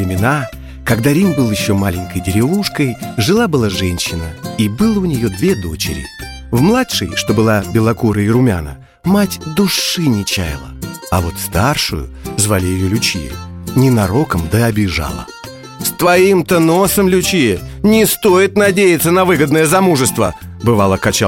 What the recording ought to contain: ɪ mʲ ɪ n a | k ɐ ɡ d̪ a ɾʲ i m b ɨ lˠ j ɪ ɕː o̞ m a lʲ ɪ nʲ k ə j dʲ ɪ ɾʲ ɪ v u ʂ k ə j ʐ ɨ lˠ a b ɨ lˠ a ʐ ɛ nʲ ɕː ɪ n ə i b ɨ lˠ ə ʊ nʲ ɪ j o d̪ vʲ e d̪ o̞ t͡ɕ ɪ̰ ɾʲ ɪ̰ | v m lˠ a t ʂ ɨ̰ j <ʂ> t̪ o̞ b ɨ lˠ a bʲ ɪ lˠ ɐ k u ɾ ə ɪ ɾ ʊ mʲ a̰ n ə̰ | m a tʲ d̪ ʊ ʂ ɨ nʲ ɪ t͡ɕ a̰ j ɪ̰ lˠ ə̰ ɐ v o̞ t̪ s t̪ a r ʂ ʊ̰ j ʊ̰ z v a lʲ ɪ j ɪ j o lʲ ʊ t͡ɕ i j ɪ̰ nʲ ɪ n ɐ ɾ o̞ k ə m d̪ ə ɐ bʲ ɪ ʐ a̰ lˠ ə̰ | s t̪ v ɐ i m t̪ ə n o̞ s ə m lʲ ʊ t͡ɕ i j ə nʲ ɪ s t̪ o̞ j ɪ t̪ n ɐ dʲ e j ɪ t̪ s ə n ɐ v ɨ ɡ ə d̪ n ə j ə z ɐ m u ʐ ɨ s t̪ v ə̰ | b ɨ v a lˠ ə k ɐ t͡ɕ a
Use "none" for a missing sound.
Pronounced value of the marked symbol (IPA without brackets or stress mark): ʂ